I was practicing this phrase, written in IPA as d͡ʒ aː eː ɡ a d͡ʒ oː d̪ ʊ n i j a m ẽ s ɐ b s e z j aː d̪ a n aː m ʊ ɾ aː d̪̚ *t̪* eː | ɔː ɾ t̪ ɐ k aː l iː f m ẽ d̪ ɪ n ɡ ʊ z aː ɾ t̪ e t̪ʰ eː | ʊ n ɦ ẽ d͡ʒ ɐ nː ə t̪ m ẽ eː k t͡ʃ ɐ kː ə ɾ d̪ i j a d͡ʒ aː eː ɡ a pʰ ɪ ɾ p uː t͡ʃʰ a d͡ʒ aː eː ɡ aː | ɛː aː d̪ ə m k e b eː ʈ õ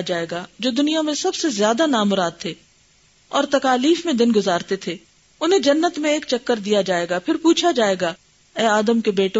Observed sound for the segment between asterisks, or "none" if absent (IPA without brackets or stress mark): t̪ʰ